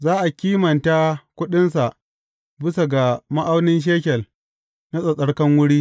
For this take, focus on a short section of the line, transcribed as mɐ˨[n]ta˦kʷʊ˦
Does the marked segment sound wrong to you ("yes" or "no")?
no